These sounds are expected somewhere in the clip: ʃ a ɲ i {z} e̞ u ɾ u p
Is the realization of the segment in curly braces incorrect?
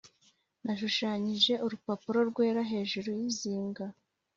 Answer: yes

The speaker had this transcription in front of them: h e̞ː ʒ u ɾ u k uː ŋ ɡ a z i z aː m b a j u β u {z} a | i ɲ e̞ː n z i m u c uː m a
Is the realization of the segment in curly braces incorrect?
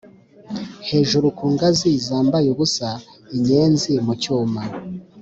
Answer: yes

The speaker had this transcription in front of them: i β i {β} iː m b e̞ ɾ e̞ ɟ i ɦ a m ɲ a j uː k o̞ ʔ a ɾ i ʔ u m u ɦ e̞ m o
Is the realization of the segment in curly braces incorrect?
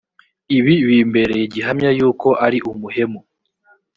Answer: no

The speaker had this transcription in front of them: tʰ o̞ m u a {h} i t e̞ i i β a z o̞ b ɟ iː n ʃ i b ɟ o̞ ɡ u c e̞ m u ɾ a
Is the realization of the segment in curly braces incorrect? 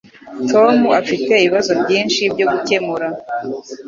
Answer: yes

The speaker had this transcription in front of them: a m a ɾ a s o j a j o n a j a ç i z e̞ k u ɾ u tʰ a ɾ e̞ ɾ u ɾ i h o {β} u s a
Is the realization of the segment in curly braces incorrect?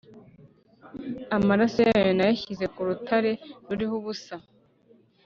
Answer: no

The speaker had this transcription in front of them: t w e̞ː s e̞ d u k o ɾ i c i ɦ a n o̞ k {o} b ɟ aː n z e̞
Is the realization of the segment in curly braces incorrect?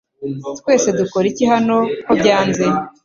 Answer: no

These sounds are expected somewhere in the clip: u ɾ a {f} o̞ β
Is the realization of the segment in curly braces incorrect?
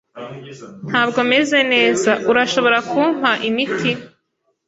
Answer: yes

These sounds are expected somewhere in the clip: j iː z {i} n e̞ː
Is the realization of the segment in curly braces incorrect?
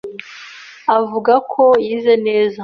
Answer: yes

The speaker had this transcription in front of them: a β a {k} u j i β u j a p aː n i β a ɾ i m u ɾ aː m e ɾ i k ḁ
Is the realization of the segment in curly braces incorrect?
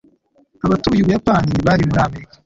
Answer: yes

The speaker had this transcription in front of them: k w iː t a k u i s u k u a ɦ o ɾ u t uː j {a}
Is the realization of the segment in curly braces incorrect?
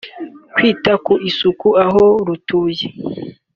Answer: yes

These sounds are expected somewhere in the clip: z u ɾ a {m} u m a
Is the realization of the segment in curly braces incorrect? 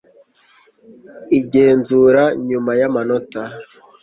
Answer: yes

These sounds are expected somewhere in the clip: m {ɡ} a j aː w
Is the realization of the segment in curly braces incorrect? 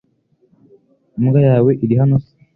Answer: no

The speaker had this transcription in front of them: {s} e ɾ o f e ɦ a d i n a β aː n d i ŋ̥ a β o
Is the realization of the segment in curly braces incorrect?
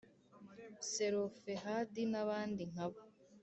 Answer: no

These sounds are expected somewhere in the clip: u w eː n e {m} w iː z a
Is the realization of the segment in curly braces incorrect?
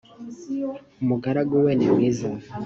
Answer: no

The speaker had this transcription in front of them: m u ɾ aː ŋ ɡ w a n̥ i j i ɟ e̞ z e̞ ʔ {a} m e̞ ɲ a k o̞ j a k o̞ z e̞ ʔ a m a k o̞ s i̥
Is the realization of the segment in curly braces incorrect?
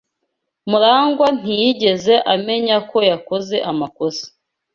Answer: no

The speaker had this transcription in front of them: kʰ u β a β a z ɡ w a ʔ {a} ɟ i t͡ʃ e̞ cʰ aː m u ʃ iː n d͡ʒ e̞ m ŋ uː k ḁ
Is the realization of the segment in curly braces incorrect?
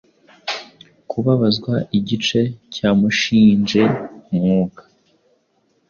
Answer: yes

